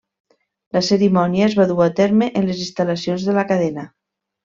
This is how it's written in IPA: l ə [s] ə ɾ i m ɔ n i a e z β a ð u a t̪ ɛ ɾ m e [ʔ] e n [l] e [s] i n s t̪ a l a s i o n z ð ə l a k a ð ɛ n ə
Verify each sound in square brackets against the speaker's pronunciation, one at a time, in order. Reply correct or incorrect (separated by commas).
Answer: correct, correct, correct, incorrect